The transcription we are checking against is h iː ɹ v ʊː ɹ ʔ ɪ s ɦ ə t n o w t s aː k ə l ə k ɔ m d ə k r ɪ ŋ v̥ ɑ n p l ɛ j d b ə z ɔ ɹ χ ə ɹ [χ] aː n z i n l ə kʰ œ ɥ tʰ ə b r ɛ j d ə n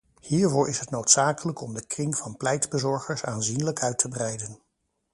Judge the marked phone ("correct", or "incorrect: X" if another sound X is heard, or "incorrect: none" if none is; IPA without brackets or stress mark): incorrect: s